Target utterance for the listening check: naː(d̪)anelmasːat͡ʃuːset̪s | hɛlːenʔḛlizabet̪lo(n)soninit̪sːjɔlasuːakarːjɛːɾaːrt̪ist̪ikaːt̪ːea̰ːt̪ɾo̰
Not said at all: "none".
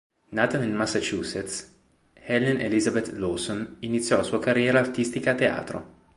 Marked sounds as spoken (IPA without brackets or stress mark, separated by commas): t̪, none